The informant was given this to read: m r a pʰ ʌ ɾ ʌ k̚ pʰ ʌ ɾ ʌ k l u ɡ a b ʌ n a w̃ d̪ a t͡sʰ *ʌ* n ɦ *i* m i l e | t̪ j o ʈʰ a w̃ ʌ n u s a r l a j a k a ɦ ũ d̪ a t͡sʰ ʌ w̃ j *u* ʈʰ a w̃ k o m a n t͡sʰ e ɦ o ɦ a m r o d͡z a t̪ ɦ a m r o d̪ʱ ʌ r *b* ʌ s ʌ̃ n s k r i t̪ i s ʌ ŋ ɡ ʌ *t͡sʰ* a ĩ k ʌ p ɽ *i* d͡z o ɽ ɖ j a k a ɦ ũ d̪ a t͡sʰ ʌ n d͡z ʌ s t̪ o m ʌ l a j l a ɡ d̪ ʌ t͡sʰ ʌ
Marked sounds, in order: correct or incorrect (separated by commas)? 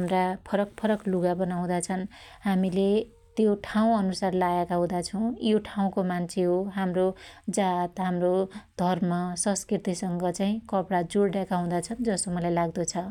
correct, incorrect, incorrect, incorrect, incorrect, incorrect